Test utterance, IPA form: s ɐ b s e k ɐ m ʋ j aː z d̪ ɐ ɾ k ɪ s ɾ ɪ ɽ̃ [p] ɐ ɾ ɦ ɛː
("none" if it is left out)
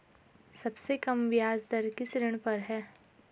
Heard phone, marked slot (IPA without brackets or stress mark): p